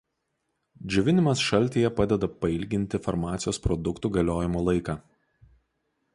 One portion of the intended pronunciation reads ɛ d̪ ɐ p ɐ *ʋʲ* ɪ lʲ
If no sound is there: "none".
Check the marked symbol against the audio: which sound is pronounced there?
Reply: none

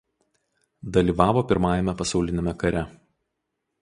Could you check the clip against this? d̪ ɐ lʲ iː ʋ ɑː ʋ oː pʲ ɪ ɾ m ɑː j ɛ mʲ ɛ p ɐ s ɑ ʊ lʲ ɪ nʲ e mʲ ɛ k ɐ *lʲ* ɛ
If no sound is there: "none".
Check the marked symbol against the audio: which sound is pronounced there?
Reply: ɾʲ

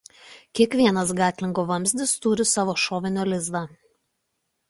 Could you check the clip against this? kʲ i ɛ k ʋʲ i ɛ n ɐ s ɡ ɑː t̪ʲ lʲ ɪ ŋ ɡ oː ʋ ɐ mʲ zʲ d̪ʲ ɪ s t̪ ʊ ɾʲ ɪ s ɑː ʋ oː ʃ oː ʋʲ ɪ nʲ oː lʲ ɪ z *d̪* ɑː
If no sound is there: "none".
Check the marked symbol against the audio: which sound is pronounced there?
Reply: d̪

